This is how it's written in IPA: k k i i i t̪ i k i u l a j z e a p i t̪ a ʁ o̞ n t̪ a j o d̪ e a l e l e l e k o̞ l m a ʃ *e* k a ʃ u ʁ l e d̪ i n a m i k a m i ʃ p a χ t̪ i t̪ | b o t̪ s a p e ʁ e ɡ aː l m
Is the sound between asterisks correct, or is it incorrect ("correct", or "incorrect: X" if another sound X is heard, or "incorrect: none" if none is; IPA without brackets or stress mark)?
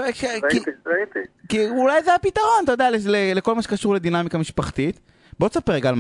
correct